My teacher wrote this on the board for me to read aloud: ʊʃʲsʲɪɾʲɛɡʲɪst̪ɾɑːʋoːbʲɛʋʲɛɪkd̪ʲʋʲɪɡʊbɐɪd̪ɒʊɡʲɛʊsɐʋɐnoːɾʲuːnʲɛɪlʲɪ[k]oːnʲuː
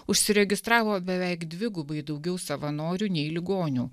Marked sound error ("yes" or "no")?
yes